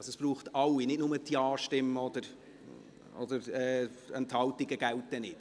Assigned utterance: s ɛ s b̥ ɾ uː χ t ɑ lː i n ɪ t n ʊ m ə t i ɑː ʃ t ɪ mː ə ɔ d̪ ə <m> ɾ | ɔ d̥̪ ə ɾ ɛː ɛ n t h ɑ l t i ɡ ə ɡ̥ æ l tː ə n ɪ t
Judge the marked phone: incorrect: none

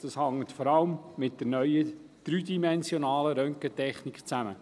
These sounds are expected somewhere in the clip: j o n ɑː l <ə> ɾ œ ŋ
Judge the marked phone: correct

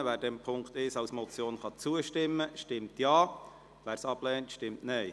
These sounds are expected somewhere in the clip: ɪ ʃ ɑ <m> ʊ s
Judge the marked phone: incorrect: none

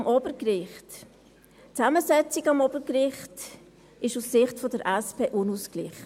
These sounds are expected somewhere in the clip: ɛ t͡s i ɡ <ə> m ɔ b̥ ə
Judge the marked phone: incorrect: ɑ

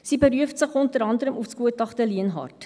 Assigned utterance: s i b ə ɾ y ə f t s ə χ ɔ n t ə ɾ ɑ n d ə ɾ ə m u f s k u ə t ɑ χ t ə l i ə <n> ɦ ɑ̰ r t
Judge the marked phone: correct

